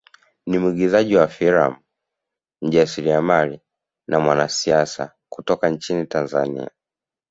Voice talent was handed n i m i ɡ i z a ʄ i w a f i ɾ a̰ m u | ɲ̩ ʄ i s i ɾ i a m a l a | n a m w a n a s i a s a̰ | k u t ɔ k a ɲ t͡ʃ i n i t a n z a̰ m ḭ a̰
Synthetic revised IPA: n i m i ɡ i z a ʄ i w a f i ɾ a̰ m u | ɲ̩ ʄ a s i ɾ i a m a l i | n a m w a n a s i a s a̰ | k u t ɔ k a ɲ t͡ʃ i n i t a n z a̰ n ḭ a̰